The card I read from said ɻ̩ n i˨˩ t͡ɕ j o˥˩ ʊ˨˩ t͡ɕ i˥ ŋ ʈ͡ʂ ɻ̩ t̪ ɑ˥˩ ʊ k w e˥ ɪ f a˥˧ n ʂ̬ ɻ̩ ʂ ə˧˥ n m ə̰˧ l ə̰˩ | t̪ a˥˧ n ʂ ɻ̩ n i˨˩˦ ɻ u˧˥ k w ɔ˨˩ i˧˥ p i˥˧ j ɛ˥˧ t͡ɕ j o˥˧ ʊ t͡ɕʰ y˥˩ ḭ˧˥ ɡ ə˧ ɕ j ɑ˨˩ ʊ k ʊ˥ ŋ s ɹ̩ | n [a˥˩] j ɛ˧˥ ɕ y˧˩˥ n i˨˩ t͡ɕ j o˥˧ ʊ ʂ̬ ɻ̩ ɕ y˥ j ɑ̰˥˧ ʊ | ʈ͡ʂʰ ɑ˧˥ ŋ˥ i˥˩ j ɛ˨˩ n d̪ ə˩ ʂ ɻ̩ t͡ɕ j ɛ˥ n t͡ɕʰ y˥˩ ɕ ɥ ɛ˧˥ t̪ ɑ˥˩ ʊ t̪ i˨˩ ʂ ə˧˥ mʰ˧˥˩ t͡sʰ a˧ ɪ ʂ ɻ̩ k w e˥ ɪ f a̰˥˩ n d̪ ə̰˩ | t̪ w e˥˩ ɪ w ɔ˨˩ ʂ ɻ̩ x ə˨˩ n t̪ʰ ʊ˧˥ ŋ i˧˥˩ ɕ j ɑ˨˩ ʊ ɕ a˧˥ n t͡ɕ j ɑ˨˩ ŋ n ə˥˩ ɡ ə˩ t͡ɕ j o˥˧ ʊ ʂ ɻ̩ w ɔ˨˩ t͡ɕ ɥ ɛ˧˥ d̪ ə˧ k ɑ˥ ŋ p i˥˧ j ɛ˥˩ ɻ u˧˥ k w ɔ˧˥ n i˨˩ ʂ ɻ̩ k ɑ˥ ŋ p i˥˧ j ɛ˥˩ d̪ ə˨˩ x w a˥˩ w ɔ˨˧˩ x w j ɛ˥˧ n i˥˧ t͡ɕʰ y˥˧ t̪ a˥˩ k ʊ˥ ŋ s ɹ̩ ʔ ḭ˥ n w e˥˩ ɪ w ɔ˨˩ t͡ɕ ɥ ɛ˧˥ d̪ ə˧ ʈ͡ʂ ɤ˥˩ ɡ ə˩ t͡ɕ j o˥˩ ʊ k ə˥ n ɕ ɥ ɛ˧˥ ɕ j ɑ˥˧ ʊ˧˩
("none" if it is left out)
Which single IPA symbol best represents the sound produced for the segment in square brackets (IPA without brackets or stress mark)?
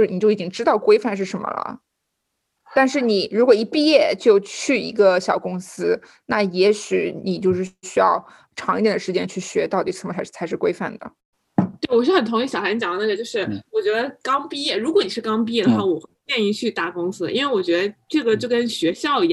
a˥˩